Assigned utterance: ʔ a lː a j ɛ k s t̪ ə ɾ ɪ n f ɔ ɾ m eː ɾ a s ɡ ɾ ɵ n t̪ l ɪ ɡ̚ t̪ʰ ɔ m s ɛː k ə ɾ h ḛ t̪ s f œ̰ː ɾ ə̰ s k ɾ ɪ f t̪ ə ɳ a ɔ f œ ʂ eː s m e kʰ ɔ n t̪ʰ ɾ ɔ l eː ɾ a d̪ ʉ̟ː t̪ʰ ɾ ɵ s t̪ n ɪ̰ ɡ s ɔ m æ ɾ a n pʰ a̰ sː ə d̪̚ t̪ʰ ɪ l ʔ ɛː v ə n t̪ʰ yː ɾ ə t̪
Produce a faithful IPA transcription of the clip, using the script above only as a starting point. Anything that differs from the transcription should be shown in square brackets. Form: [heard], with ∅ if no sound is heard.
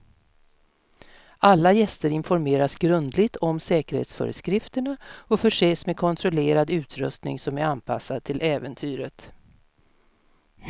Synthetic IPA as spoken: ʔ a lː a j ɛ [∅] s t̪ ə ɾ ɪ n f ɔ ɾ m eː ɾ a s ɡ ɾ ɵ n [d̪] l ɪ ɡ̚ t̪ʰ ɔ m s ɛː k ə ɾ h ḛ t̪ s f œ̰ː ɾ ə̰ s k ɾ ɪ f t̪ ə ɳ a ɔ f œ ʂ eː s m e kʰ ɔ n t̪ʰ ɾ ɔ l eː ɾ a d̪ ʉ̟ː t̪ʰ ɾ ɵ s t̪ n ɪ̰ [ŋ] s ɔ m æ ɾ a n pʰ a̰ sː [a] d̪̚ t̪ʰ ɪ l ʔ ɛː v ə n t̪ʰ yː ɾ ə t̪